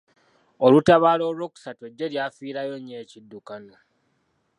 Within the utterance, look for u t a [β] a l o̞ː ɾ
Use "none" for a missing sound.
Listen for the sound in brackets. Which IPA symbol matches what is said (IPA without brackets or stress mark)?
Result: β